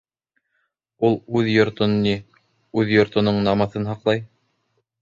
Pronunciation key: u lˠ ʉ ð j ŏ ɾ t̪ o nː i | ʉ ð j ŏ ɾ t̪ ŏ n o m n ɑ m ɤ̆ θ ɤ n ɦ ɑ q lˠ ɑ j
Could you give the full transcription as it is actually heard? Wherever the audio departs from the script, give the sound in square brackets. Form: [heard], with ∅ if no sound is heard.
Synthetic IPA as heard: u lˠ ʉ ð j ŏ ɾ t̪ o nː i | ʉ ð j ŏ ɾ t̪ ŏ n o [ɴ] n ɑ m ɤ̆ θ ɤ n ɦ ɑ q lˠ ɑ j

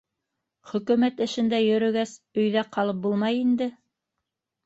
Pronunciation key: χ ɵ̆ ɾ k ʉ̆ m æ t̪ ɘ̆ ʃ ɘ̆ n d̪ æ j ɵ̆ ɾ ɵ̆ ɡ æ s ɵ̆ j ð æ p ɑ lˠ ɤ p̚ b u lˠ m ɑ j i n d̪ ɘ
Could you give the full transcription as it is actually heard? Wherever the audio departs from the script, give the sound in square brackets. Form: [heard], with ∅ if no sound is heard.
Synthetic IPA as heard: χ ɵ̆ [∅] k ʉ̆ m æ t̪ ɘ̆ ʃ ɘ̆ n d̪ æ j ɵ̆ ɾ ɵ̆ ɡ æ s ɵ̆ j ð æ [q] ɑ lˠ ɤ p̚ b u lˠ m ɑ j i n d̪ ɘ

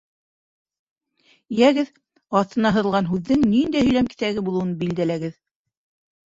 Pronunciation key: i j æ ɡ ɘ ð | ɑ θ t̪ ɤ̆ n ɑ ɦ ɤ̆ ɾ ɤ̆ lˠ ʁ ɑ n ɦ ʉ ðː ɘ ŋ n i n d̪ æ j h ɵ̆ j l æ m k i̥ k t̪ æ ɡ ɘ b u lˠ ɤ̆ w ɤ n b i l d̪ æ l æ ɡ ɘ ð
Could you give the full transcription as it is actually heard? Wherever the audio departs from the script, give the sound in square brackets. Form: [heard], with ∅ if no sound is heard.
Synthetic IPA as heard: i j æ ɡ ɘ ð | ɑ θ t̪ ɤ̆ n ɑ ɦ ɤ̆ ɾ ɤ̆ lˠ ʁ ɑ n ɦ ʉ ðː ɘ ŋ n i n d̪ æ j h ɵ̆ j l æ m k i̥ [∅] t̪ æ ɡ ɘ b u lˠ ɤ̆ w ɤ n b i l d̪ æ l æ ɡ ɘ ð

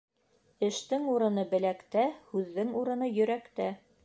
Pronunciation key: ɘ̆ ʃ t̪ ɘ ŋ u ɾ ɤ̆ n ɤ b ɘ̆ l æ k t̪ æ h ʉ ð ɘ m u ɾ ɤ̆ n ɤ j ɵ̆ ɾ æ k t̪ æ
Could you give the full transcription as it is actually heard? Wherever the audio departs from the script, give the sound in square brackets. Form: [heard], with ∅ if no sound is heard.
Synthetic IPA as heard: ɘ̆ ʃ t̪ ɘ ŋ u ɾ ɤ̆ n ɤ b ɘ̆ l æ k t̪ æ h ʉ [ðː] ɘ [ŋ] u ɾ ɤ̆ n ɤ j ɵ̆ ɾ æ k t̪ æ

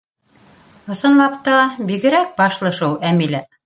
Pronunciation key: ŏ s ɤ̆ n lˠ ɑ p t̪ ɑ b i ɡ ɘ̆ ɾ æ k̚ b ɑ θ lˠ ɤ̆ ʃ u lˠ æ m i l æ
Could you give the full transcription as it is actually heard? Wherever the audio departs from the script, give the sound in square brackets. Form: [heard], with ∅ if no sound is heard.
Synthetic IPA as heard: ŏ s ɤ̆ n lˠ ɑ p t̪ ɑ b i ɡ ɘ̆ ɾ æ k̚ b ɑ [ʃ] lˠ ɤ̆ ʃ u lˠ æ m i l æ

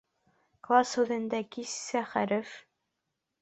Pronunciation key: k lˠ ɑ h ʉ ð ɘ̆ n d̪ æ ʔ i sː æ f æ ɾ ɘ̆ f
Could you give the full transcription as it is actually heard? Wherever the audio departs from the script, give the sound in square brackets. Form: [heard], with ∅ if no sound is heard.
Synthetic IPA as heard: k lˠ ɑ [s] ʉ ð ɘ̆ n d̪ æ [k] i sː æ [χ] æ ɾ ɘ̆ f

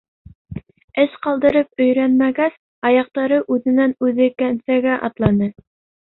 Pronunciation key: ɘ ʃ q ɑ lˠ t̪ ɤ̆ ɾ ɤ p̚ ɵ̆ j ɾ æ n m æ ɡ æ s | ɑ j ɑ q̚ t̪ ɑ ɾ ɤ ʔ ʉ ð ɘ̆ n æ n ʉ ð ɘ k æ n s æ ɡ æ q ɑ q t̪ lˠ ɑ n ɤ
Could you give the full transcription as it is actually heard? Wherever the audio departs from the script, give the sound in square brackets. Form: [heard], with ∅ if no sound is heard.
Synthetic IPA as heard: ɘ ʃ q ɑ lˠ [d̪] ɤ̆ ɾ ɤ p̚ ɵ̆ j ɾ æ n m æ ɡ æ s | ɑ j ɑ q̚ t̪ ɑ ɾ ɤ ʔ ʉ ð ɘ̆ n æ n ʉ ð ɘ k æ n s æ ɡ æ [ʔ] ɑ [∅] t̪ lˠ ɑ n ɤ

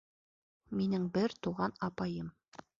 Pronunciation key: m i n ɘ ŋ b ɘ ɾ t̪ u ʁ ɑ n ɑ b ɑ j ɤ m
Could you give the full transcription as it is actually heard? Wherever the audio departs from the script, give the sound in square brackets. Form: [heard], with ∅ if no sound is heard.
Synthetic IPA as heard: m i n ɘ ŋ b ɘ ɾ t̪ u ʁ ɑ n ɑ [p] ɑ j ɤ m

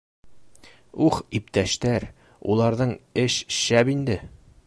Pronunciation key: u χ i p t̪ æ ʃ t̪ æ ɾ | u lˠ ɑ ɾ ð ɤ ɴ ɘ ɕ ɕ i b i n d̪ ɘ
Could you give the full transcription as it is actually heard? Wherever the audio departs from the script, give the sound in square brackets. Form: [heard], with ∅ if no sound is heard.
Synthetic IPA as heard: u χ i p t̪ æ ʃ t̪ æ ɾ | u lˠ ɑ ɾ ð ɤ ɴ ɘ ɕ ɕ [æ] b i n d̪ ɘ

